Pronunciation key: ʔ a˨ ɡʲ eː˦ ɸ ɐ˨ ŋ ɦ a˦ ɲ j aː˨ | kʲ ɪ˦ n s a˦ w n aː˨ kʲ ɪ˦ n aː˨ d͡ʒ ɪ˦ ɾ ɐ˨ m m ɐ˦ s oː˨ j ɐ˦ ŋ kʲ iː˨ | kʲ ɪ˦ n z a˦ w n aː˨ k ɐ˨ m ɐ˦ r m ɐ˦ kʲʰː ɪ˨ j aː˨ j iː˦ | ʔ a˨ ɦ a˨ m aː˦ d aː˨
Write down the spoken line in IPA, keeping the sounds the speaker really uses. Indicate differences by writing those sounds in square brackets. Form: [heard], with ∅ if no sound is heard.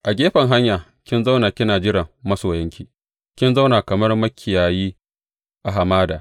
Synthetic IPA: ʔ a˨ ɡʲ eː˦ ɸ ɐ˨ ŋ ɦ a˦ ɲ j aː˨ | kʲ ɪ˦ n [z] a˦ w n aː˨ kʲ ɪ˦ n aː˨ d͡ʒ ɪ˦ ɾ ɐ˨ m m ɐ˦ s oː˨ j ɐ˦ ŋ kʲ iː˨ | kʲ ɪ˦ n z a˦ w n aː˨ k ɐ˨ m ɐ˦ r m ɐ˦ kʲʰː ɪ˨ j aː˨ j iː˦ | ʔ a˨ ɦ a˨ m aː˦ d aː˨